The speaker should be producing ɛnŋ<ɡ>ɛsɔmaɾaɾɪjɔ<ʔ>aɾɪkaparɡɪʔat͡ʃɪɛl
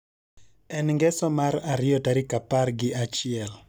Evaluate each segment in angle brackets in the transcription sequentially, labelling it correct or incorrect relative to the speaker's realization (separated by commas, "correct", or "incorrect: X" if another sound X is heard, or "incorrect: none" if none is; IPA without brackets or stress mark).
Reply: correct, incorrect: t